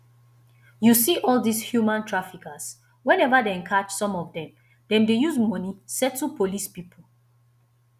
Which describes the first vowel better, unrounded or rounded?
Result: rounded